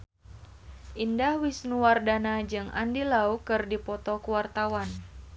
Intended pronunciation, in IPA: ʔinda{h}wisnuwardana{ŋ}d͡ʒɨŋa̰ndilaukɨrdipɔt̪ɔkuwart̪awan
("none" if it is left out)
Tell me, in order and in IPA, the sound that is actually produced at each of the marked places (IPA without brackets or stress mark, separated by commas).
h, none